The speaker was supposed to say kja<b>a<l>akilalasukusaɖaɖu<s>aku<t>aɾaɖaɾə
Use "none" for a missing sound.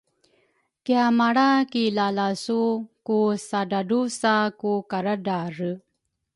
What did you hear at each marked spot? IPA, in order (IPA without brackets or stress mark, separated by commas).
m, ɽ, s, k